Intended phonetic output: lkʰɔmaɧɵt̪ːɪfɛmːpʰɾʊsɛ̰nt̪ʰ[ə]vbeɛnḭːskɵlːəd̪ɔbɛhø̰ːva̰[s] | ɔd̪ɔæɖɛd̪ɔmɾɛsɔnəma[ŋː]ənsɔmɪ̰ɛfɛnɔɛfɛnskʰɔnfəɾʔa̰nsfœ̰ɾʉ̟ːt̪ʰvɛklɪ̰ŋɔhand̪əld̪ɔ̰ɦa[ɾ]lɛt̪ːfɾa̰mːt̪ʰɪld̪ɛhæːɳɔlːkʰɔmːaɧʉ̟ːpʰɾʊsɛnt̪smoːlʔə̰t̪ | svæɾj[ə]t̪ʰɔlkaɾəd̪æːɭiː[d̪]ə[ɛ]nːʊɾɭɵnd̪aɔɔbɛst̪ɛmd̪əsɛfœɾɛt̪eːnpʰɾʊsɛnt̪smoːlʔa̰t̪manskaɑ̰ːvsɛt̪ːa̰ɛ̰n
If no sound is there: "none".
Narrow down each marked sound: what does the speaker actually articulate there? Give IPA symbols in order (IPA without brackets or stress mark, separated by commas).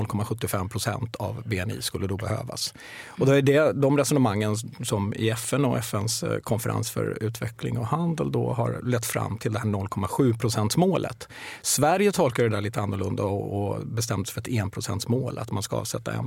a, s, ŋː, ɾ, ə, t̪, a